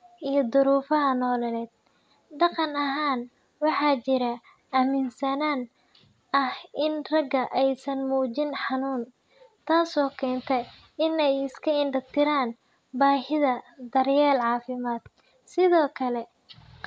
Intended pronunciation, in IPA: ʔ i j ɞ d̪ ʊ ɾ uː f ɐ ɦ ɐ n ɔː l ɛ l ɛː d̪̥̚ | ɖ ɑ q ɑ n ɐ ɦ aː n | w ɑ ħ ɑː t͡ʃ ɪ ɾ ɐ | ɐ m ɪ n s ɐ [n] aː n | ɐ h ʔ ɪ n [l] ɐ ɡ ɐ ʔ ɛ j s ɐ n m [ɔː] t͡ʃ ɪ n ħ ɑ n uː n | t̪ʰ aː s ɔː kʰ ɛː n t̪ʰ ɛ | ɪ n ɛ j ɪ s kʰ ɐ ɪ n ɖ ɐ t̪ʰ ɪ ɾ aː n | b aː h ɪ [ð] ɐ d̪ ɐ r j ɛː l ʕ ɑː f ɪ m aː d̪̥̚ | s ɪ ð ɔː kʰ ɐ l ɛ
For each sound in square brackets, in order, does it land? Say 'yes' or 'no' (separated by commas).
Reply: yes, no, no, yes